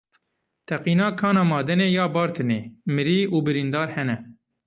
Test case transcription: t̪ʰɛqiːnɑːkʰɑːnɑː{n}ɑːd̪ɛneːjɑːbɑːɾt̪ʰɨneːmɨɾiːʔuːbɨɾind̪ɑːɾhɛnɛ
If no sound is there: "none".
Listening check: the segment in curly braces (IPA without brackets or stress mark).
m